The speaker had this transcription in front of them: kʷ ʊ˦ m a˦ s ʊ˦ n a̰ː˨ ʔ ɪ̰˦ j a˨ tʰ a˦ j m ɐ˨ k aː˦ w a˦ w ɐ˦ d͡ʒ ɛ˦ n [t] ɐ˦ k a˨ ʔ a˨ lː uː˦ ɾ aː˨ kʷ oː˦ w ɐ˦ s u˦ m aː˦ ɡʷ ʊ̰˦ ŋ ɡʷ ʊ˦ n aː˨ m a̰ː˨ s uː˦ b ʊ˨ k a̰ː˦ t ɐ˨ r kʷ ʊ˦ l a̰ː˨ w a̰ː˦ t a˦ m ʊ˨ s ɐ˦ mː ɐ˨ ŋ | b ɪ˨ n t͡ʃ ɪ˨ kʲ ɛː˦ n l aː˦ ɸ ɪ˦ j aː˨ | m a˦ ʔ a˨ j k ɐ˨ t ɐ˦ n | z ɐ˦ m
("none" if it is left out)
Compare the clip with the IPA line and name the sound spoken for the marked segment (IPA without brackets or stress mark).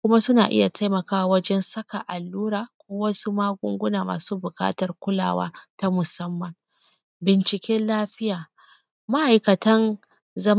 s